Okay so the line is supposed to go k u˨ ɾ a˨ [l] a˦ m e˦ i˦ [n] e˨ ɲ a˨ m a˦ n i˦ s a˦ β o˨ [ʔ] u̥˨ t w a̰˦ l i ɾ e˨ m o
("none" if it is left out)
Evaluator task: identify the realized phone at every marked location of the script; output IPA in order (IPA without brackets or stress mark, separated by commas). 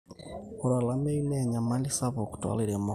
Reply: l, n, k